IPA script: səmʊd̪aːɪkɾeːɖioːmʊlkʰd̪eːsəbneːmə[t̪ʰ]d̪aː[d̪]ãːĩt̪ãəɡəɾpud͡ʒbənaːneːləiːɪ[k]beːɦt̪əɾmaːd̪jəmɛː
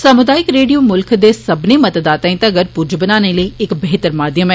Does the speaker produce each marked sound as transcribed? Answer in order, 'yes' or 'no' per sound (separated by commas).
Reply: no, no, yes